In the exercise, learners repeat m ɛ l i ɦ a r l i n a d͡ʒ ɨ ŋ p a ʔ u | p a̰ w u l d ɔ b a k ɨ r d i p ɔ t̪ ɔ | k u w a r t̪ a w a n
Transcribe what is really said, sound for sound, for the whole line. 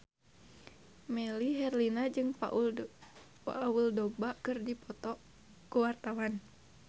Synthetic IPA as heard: m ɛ l i ɦ ɛ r l i n a d͡ʒ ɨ ŋ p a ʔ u | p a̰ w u l d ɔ b a k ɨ r d i p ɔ t̪ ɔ | k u w a r t̪ a w a n

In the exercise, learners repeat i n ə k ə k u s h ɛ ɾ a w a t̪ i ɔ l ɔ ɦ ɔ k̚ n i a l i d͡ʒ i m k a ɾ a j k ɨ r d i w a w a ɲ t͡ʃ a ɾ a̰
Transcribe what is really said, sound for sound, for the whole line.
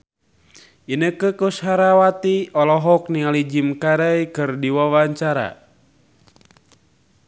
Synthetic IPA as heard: i n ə k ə k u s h a ɾ a w a t̪ i ɔ l ɔ ɦ ɔ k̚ n i a l i d͡ʒ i m k a ɾ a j k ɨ r d i w a w a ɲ t͡ʃ a ɾ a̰

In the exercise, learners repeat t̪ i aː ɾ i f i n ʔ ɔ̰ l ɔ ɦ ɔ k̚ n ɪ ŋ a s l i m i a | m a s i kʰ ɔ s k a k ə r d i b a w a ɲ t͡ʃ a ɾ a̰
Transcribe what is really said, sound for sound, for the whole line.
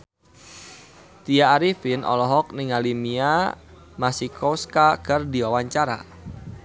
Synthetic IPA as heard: t̪ i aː ɾ i f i n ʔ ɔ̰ l ɔ ɦ ɔ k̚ n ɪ ŋ a l i m i a | m a s i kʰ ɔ s k a k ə r d i w a w a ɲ t͡ʃ a ɾ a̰

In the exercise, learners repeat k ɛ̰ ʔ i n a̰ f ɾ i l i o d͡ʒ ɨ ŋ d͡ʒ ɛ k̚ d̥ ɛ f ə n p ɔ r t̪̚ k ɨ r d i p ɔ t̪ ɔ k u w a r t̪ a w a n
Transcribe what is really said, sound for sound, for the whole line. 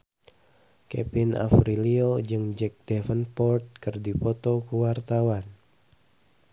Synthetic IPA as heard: k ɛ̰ p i n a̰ f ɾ i l i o d͡ʒ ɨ ŋ d͡ʒ ɛ k̚ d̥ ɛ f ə n p ɔ r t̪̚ k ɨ r d i p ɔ t̪ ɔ k u w a r t̪ a w a n

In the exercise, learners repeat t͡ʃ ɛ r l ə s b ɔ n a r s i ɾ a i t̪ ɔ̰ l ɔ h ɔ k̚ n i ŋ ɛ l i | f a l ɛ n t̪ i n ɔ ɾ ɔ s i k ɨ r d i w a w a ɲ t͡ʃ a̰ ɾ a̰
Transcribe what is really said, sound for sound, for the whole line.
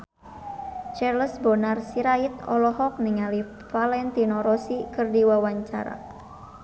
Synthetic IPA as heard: t͡ʃ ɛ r l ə s b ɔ n a r s i ɾ a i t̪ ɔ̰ l ɔ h ɔ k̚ n i ŋ a l i | f a l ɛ n t̪ i n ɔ ɾ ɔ s i k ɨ r d i w a w a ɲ t͡ʃ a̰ ɾ a̰

